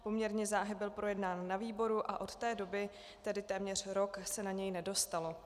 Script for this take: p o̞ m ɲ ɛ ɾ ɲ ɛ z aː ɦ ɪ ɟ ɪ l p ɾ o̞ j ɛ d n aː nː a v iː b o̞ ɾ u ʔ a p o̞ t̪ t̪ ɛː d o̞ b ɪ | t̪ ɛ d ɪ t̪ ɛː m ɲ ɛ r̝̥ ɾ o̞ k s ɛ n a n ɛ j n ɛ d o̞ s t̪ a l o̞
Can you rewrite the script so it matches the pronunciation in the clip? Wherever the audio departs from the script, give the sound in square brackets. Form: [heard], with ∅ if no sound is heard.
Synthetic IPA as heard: p o̞ m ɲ ɛ ɾ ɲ ɛ z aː ɦ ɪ [b] ɪ l p ɾ o̞ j ɛ d n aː nː a v iː b o̞ ɾ u ʔ a [ʔ] o̞ t̪ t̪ ɛː d o̞ b ɪ | t̪ ɛ d ɪ t̪ ɛː m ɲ ɛ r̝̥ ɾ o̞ k s ɛ n a [ɲ] ɛ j n ɛ d o̞ s t̪ a l o̞